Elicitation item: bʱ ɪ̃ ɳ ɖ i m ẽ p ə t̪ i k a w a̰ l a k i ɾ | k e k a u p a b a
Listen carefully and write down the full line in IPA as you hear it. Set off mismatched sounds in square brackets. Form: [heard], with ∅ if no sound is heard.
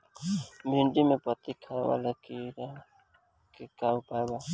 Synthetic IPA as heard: bʱ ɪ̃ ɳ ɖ i m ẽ p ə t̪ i [kʰ] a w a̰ l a k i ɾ | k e k a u p a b a